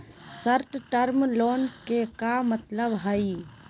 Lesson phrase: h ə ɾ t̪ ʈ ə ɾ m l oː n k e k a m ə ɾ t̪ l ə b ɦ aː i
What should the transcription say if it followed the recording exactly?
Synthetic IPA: s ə ɾ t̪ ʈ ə ɾ m l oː n k e k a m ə t̪ l ə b ɦ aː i